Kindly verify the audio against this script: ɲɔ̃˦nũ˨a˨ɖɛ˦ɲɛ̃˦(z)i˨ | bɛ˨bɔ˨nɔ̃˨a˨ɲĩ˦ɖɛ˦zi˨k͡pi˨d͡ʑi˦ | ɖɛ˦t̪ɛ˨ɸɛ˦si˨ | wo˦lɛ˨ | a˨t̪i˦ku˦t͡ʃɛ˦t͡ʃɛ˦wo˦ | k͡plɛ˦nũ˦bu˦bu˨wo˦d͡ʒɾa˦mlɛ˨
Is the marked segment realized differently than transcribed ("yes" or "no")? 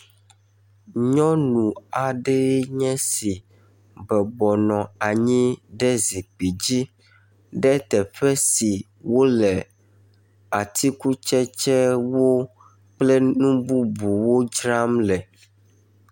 yes